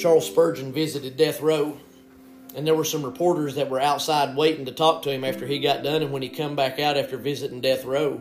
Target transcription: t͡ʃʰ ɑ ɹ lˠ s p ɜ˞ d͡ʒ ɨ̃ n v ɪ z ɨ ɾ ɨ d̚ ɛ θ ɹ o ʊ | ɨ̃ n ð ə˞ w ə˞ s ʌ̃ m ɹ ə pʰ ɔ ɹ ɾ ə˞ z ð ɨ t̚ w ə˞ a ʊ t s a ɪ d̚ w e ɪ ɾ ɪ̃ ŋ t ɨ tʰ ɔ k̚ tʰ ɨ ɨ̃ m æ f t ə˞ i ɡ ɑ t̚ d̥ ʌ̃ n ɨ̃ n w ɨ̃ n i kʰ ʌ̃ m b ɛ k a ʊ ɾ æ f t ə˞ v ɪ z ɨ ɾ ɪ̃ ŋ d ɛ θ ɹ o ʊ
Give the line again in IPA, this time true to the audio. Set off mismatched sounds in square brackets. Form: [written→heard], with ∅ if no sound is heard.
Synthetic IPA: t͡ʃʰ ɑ ɹ lˠ s p ɜ˞ d͡ʒ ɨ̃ n v ɪ z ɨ ɾ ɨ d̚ ɛ θ ɹ o ʊ | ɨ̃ n ð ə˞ w ə˞ s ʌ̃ m ɹ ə pʰ ɔ ɹ ɾ ə˞ z ð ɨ t̚ w ə˞ a ʊ t s a ɪ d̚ w e ɪ ɾ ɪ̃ ŋ t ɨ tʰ ɔ k̚ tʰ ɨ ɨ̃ m æ f t ə˞ i ɡ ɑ t̚ d̥ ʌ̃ n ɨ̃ n w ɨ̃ n i kʰ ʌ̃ m b [ɛ→æ] k a ʊ ɾ æ f t ə˞ v ɪ z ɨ ɾ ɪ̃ ŋ d ɛ θ ɹ o ʊ